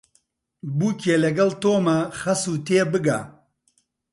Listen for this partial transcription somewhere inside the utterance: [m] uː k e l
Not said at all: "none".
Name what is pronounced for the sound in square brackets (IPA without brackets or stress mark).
b